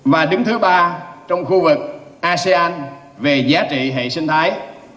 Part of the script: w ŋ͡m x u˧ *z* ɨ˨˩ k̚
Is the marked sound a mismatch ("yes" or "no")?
yes